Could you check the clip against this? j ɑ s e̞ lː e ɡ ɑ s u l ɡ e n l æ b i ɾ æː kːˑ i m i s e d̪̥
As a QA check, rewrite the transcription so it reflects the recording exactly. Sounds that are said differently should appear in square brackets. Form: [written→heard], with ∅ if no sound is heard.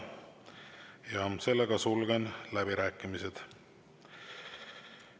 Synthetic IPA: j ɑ s e̞ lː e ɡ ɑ s u l ɡ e n l æ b i ɾ æː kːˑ i m i s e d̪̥

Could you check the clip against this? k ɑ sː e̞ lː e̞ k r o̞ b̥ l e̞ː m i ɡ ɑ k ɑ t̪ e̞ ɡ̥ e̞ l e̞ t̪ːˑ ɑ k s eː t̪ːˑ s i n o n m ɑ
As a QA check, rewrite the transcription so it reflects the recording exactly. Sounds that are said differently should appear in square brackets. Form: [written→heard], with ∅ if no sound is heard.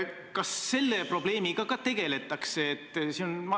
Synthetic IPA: k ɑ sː e̞ lː e̞ [k→p] r o̞ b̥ l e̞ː m i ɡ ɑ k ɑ t̪ e̞ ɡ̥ e̞ l e̞ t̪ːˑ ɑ k s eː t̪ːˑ s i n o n m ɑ

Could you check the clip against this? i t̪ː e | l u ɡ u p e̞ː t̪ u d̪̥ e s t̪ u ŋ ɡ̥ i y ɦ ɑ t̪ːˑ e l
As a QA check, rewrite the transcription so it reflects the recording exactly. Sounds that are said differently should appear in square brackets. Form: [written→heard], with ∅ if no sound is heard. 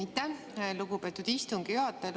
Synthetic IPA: i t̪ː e | l u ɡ u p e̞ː t̪ u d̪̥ [e→i] s t̪ u ŋ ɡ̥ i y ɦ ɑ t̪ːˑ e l

